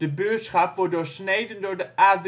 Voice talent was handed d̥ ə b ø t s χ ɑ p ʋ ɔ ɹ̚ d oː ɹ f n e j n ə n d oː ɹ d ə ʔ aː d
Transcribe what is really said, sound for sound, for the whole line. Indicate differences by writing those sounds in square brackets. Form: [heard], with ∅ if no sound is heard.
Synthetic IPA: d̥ ə b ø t s χ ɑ p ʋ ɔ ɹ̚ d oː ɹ [s] n e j [d] ə n d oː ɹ d ə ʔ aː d